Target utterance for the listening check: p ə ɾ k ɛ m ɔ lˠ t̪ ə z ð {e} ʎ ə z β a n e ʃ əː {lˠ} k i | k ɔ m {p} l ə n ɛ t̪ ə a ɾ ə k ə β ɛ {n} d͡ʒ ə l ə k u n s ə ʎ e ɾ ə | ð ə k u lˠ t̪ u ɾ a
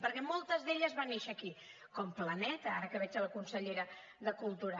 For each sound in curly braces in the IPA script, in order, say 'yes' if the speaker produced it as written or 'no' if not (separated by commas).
yes, no, yes, no